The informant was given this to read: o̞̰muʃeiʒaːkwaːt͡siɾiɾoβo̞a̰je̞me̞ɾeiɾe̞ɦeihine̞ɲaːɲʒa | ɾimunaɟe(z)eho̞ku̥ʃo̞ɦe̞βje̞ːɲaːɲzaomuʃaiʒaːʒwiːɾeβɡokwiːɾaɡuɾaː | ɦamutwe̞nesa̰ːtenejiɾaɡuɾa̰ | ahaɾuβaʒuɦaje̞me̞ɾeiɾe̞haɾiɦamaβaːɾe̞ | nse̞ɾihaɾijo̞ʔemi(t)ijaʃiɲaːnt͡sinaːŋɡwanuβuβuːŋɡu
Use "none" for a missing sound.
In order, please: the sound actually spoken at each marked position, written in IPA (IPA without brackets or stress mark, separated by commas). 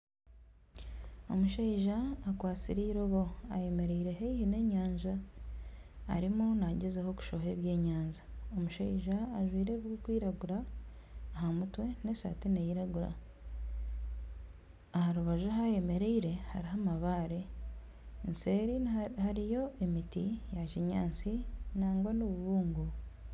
z, t